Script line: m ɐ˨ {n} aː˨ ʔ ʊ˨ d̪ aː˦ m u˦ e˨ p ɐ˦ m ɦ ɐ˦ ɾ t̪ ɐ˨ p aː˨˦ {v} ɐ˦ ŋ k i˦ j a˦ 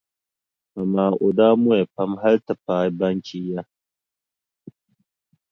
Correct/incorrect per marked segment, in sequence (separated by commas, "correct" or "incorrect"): incorrect, incorrect